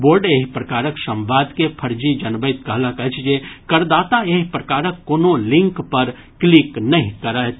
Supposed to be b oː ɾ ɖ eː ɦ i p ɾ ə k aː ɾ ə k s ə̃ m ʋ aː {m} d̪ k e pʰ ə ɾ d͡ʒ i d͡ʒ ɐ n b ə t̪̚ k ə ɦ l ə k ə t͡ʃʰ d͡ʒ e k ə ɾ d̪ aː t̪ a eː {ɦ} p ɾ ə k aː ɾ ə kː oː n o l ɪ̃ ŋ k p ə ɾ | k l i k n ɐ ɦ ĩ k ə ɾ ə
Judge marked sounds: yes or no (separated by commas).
no, yes